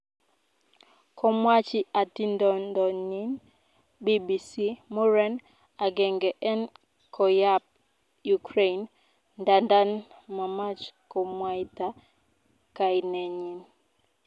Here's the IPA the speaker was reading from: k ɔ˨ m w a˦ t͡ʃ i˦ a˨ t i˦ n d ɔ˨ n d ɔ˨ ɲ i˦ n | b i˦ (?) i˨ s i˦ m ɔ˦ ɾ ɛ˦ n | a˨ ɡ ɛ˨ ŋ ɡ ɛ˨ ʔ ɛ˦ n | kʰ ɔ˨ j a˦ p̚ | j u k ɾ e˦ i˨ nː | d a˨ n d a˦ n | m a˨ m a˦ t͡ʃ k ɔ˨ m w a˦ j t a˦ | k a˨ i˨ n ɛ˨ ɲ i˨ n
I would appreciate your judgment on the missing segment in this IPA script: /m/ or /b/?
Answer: b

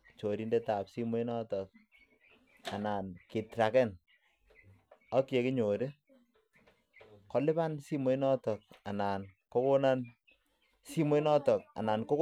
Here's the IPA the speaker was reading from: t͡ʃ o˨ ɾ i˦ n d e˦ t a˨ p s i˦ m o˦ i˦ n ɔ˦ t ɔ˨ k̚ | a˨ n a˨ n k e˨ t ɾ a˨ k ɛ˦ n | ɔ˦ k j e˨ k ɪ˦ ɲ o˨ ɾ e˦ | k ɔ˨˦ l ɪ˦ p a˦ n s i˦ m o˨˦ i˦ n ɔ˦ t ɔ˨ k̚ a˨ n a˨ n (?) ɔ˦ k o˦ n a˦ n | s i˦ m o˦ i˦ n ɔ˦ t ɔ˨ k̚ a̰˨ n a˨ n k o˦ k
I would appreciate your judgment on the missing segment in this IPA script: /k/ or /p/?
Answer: k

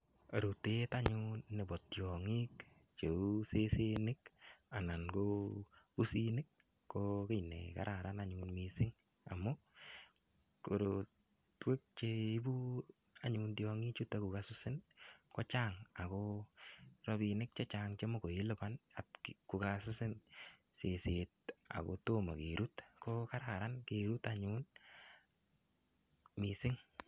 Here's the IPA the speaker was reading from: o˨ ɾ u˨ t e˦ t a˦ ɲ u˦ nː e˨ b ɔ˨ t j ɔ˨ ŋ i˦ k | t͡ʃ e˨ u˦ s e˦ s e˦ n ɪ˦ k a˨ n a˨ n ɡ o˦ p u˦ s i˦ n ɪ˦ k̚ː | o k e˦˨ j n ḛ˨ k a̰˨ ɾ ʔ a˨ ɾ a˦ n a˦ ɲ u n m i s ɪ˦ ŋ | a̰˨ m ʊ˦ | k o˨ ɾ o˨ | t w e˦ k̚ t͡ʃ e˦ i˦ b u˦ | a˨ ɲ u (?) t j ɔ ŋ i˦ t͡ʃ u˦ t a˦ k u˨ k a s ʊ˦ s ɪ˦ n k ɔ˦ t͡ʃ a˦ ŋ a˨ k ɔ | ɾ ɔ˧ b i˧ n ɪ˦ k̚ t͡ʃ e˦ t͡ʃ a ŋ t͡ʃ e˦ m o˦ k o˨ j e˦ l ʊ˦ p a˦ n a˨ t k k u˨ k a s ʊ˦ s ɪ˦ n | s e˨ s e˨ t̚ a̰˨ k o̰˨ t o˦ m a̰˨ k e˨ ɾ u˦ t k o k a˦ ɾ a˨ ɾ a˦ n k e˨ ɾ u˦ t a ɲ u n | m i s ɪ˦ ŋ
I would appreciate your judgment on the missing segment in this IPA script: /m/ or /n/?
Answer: n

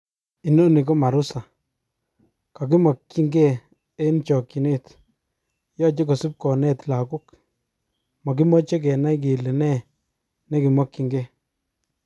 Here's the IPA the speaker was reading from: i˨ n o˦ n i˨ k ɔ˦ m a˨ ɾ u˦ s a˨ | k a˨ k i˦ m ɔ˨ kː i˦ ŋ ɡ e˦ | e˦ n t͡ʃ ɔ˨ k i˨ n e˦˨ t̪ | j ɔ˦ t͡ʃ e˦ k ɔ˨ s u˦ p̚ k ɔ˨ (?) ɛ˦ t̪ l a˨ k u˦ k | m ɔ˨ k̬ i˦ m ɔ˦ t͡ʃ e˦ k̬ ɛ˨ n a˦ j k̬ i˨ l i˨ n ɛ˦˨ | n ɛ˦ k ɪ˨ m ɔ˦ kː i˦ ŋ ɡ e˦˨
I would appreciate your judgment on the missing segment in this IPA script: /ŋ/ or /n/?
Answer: n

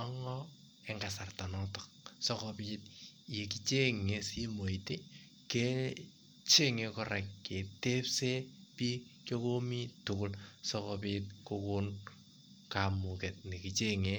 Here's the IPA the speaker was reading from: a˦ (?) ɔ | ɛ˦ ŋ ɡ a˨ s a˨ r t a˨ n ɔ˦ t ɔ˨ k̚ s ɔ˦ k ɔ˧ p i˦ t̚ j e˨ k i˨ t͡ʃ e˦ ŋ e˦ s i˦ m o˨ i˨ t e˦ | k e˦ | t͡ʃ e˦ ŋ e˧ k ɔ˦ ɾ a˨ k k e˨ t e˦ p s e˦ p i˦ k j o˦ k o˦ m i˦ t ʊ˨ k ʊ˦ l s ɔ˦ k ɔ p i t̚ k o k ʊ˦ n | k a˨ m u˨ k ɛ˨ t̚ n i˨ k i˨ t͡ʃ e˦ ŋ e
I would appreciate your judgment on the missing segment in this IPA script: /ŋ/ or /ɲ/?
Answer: ŋ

